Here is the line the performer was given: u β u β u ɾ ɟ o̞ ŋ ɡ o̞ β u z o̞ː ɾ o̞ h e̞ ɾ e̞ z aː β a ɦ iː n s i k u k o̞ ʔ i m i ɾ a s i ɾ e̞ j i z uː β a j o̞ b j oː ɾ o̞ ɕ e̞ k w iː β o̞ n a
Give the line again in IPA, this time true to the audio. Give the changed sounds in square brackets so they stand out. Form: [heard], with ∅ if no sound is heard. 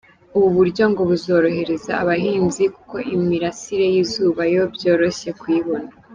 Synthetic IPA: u β u β u ɾ ɟ o̞ ŋ ɡ o̞ β u z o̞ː ɾ o̞ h e̞ ɾ e̞ z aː β a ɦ iː n [z] i k u k o̞ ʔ i m i ɾ a s i ɾ e̞ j i z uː β a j o̞ b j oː ɾ o̞ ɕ e̞ k w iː β o̞ n a